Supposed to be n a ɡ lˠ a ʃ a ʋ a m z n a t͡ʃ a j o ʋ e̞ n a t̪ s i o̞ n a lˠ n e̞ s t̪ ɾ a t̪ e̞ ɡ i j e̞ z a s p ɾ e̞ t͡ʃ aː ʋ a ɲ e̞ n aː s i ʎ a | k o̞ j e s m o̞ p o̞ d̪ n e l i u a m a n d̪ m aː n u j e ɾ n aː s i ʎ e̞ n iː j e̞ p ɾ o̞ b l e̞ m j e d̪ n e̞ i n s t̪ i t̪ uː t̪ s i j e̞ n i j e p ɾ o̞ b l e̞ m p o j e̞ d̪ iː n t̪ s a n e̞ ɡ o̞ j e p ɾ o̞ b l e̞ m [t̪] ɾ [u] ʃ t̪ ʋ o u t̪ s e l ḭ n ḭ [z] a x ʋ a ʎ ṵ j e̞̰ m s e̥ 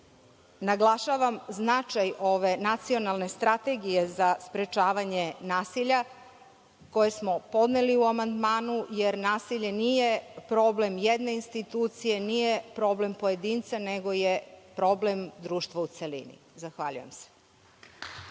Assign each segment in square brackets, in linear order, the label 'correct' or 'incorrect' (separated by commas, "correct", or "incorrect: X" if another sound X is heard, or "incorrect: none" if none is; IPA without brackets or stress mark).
incorrect: d̪, incorrect: uː, correct